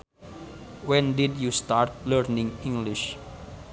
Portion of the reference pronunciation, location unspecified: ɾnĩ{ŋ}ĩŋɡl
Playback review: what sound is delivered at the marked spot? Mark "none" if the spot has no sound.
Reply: ŋ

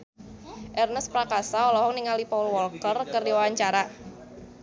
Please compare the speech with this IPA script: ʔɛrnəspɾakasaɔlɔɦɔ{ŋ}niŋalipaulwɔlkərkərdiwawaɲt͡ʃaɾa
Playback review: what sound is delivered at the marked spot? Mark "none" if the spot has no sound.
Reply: ŋ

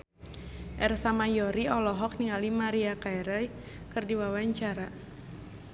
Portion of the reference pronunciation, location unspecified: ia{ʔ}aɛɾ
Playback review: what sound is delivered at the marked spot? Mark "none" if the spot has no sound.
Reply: k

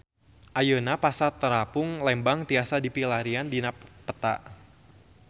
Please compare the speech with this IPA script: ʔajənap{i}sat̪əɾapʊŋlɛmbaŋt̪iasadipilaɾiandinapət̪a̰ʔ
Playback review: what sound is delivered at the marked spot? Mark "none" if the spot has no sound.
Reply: a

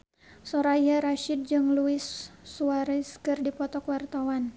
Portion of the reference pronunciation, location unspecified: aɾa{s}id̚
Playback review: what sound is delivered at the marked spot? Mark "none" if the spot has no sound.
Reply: ʃ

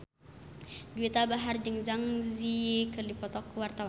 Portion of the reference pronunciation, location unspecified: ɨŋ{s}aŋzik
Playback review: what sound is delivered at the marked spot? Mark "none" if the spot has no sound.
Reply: z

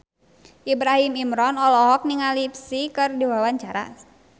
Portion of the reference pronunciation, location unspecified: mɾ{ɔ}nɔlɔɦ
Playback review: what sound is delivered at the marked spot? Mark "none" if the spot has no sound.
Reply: ɔ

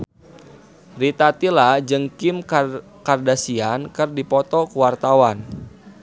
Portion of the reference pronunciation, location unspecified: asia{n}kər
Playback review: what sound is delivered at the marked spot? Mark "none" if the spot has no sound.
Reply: n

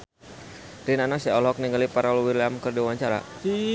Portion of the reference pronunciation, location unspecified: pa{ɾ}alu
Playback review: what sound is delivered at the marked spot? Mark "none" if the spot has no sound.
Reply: ɾ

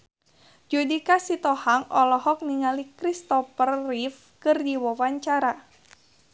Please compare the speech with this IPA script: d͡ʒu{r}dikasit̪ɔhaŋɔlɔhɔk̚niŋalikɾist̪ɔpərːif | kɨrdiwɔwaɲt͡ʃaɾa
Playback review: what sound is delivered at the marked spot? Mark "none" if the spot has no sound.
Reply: none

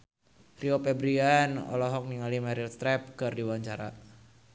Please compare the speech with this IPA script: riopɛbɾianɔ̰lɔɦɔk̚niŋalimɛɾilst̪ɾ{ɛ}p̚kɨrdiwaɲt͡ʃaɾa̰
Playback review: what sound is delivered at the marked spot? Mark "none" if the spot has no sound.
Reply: ɛ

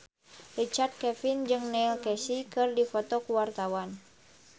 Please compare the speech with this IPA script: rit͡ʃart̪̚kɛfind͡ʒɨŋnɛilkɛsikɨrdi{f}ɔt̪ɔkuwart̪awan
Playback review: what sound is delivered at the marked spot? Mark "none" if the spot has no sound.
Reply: f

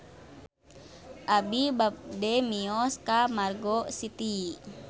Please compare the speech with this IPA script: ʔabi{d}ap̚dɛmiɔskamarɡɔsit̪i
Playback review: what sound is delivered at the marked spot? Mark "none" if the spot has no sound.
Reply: b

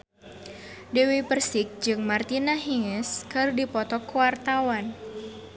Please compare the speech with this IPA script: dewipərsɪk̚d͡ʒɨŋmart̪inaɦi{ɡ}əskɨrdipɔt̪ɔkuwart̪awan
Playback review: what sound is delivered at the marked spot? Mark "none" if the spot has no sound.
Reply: ŋ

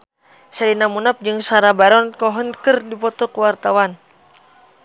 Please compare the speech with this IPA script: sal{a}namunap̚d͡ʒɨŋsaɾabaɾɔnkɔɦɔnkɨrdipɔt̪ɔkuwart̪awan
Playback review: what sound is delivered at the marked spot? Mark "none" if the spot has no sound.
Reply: i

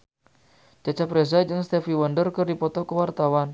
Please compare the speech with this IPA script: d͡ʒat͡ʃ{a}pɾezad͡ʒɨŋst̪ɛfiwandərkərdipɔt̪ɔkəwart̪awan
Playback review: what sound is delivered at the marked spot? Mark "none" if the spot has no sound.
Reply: a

